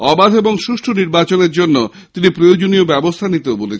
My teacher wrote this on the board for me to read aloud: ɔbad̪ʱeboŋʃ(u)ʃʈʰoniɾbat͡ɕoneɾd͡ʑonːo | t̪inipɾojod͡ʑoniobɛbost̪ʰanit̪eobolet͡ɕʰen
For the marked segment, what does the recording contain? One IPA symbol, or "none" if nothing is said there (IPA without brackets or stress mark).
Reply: u